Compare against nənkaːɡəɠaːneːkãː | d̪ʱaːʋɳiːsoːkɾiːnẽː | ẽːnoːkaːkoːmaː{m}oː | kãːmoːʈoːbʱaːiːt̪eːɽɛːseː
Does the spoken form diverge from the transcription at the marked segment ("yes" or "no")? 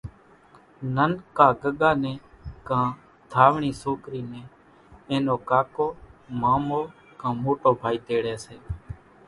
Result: no